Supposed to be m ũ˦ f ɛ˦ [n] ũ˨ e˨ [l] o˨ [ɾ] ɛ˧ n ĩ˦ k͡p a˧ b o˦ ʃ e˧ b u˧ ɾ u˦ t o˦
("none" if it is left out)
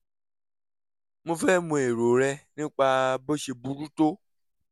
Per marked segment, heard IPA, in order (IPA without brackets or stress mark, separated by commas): m, ɾ, ɾ